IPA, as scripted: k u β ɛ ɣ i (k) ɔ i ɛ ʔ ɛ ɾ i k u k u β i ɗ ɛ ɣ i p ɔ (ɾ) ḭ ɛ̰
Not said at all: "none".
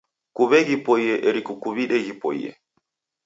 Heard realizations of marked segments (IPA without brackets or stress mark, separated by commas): p, none